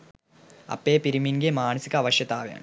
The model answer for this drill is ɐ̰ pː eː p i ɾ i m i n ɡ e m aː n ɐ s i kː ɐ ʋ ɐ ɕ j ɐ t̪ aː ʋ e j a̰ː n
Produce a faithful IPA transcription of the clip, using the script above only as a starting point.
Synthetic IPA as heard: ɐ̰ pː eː p i ɾ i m i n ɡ e m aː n ɐ s i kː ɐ ʋ ɐ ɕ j ɐ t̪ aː ʋ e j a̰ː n